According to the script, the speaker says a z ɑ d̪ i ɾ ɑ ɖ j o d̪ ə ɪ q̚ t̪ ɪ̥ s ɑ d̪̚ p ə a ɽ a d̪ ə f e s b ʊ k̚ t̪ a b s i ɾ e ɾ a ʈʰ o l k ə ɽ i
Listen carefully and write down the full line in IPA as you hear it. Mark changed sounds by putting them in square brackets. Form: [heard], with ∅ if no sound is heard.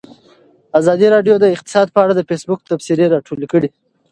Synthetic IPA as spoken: a z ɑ d̪ i ɾ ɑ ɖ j o d̪ ə ɪ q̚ t̪ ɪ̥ s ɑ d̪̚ p ə a ɽ a d̪ ə f e s b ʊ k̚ t̪ a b s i ɾ e ɾ [ɑ] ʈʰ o l k ə ɽ i